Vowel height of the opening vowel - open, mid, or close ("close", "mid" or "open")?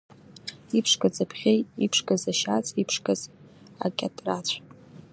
close